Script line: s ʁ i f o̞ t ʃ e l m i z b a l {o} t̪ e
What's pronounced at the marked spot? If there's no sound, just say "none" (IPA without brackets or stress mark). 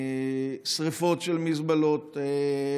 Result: o